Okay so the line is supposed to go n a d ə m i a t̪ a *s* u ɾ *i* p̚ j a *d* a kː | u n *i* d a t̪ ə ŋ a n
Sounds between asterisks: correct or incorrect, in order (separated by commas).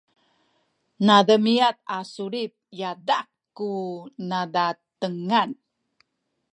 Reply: correct, correct, correct, incorrect